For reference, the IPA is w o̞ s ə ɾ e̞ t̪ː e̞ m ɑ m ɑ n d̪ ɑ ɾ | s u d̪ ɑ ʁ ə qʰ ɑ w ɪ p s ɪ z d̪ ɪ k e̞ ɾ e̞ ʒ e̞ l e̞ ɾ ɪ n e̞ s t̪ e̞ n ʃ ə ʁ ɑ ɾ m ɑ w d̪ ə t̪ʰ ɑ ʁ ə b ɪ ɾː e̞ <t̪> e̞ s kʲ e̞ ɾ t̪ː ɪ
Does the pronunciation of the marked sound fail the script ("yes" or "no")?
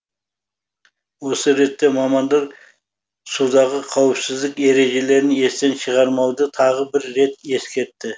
no